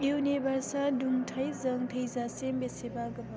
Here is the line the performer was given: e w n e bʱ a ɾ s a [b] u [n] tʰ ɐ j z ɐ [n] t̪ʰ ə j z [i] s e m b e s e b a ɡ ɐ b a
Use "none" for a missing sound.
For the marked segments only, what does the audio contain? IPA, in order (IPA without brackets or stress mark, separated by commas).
d, ŋ, ŋ, a